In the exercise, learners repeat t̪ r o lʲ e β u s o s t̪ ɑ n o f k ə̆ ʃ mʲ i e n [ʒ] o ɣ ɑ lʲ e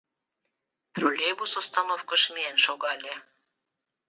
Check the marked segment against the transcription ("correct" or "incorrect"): incorrect